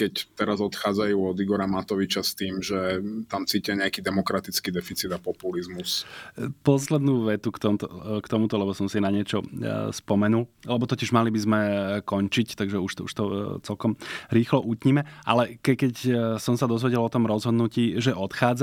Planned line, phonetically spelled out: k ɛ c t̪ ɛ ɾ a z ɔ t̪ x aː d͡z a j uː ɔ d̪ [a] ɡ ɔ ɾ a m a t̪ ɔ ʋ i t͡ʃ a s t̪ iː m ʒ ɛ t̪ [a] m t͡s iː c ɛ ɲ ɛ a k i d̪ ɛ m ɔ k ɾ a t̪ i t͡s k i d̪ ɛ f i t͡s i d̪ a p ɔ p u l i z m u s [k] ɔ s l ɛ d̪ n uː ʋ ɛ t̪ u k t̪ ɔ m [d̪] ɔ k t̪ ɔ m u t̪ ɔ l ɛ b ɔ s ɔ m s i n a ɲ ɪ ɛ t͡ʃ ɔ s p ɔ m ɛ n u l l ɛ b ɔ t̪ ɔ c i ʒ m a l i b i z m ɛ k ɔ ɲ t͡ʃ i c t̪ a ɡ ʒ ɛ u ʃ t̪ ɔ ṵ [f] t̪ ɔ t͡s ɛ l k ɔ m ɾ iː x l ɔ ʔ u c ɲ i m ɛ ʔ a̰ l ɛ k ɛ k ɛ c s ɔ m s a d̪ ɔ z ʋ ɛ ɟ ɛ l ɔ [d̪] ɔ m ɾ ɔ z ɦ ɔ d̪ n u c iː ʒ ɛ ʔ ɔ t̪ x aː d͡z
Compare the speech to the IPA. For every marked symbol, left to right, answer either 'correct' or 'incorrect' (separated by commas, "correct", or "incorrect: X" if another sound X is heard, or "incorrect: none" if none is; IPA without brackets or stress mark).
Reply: incorrect: i, correct, incorrect: p, incorrect: t̪, incorrect: ʃ, incorrect: t̪